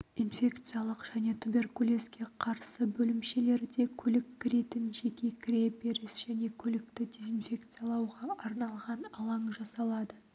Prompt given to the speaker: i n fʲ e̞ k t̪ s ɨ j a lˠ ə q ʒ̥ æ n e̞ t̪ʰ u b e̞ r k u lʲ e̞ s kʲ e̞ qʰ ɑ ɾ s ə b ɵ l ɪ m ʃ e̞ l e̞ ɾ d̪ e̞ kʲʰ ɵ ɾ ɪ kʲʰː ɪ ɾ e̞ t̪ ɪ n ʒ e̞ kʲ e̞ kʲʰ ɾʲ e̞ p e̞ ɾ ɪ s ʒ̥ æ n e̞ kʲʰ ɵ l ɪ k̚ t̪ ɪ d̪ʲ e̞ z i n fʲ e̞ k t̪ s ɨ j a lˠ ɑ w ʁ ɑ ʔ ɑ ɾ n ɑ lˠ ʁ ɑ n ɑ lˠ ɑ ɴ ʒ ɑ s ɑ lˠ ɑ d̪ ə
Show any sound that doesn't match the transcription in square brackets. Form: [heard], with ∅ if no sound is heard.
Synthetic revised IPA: i n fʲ e̞ k t̪ s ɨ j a lˠ ə q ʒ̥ æ n e̞ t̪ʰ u b e̞ r k u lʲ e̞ s kʲ e̞ qʰ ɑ ɾ s ə b ɵ l ɪ m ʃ e̞ l e̞ ɾ d̪ e̞ kʲʰ ɵ [l] ɪ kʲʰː ɪ ɾ e̞ t̪ ɪ n ʒ e̞ kʲ e̞ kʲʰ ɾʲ e̞ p e̞ ɾ ɪ s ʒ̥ æ n e̞ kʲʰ ɵ l ɪ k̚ t̪ ɪ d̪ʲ e̞ z i n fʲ e̞ k t̪ s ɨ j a lˠ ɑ w ʁ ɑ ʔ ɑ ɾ n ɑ lˠ ʁ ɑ n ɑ lˠ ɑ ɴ ʒ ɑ s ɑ lˠ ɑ d̪ ə